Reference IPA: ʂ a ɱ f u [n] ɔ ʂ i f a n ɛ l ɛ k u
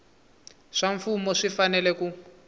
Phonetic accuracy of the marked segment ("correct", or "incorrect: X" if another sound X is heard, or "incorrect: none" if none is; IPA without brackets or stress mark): incorrect: m